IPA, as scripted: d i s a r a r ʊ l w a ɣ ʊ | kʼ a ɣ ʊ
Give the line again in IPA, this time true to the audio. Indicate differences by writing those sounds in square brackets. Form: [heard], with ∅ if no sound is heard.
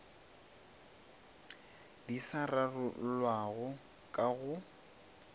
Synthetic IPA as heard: d i s a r a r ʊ l w a ɣ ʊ | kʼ a ɣ ʊ